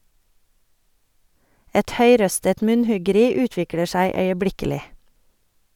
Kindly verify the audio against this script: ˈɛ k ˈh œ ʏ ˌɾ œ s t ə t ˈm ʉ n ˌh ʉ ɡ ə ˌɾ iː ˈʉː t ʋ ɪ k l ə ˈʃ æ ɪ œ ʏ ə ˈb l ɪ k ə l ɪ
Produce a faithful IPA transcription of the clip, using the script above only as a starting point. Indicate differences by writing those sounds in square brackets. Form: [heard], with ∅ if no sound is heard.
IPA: ˈɛ [t] ˈh œ ʏ ˌɾ œ s t ə t ˈm ʉ n ˌh ʉ ɡ ə ˌɾ iː ˈʉː t ʋ ɪ k l ə ˈʃ æ ɪ œ ʏ ə ˈb l ɪ k ə l ɪ